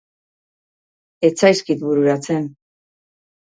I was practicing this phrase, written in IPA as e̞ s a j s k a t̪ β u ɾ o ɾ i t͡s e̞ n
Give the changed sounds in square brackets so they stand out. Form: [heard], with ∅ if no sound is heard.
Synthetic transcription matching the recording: e̞ [t͡s] a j s k [i] t̪ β u ɾ [u] ɾ [a] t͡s e̞ n